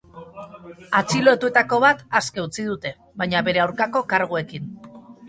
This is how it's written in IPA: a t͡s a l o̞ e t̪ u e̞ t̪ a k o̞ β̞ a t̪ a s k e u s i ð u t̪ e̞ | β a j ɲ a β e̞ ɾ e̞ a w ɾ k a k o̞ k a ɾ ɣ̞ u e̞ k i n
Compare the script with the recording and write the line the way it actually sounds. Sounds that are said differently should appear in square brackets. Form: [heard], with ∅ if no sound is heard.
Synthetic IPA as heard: a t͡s [i] l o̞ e t̪ u e̞ t̪ a k o̞ β̞ a t̪ a s k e u [t͡s] i ð u t̪ e̞ | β a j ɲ a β e̞ ɾ e̞ a w ɾ k a k o̞ k a ɾ ɣ̞ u e̞ k i n